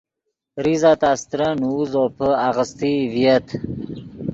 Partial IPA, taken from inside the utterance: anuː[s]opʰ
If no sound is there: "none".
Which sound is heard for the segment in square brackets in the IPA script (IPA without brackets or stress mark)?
z